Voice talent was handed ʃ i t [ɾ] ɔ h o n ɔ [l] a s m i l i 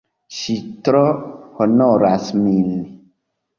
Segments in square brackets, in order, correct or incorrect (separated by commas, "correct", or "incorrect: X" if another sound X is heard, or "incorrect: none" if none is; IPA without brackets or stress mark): correct, incorrect: ɾ